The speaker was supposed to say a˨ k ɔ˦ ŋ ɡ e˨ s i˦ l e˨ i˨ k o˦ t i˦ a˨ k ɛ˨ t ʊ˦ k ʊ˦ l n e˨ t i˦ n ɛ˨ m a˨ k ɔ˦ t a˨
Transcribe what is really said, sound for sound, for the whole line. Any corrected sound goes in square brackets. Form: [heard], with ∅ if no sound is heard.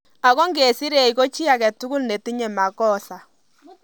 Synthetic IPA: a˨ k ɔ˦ ŋ ɡ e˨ s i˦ [ɾ] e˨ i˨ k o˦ [t͡ʃ] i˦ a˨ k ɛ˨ t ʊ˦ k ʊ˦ l n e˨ t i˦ [ɲ] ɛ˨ m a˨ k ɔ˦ [s] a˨